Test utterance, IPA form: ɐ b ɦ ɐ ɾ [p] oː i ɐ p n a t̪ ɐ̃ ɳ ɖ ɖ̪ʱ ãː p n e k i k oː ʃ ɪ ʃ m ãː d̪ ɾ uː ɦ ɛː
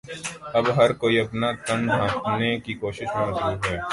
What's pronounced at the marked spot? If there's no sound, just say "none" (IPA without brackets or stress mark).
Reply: k